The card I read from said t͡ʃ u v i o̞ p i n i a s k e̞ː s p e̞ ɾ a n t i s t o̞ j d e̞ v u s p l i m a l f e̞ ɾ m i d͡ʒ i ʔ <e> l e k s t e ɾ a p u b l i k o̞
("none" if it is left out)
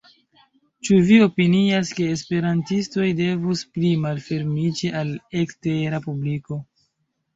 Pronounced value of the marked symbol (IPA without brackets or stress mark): a